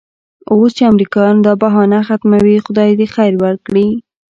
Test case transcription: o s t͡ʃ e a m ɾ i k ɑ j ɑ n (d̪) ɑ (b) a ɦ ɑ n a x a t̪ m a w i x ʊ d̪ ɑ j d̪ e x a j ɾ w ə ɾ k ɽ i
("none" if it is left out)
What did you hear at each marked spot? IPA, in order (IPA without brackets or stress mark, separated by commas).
d̪, b